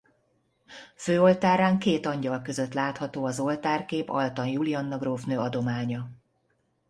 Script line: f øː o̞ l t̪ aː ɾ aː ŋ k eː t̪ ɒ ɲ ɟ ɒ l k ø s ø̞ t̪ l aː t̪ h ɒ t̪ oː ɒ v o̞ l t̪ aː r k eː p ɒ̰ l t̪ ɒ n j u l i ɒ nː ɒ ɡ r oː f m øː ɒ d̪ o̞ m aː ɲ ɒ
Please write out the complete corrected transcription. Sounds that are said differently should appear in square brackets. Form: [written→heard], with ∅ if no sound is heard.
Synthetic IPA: f øː o̞ l t̪ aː ɾ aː ŋ k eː t̪ ɒ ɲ ɟ ɒ l k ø [s→z] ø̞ t̪ l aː t̪ h ɒ t̪ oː ɒ [v→z] o̞ l t̪ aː r k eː p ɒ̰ l t̪ ɒ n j u l i ɒ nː ɒ ɡ r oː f [m→n] øː ɒ d̪ o̞ m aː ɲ ɒ